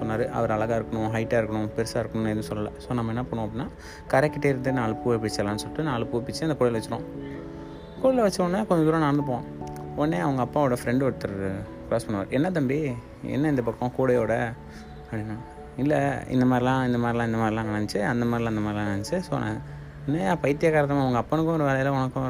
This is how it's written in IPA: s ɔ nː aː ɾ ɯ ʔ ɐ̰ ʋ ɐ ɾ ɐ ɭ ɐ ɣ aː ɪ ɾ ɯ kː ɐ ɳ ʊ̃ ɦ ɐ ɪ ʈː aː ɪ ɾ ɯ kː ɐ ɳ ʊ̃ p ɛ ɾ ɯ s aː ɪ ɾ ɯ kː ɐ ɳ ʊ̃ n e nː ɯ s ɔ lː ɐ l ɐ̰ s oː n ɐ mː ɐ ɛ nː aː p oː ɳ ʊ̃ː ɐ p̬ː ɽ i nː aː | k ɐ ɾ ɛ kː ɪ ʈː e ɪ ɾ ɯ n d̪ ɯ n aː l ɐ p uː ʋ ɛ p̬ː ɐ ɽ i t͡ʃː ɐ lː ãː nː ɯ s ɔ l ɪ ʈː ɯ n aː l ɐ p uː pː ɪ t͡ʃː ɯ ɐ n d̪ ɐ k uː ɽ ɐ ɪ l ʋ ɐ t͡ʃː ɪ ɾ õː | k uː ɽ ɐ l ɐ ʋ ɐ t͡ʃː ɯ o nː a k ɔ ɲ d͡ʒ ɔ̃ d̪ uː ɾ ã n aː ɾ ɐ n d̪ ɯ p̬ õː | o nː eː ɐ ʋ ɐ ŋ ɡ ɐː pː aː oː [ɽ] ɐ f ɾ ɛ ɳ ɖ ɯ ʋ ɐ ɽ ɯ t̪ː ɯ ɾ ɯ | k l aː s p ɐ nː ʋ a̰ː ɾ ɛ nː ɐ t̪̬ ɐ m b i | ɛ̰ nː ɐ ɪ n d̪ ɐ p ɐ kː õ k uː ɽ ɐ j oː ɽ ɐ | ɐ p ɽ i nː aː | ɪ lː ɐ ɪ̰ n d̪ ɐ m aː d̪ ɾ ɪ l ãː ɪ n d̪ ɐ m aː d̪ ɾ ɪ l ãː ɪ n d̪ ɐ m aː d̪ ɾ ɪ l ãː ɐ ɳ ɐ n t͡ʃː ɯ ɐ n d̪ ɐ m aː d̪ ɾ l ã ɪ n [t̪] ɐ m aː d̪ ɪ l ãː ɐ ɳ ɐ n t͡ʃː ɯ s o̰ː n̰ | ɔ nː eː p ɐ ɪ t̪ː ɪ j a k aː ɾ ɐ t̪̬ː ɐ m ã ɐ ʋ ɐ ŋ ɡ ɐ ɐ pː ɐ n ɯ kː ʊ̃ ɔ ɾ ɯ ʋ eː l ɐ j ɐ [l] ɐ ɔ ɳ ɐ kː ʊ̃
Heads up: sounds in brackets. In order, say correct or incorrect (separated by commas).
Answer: correct, incorrect, correct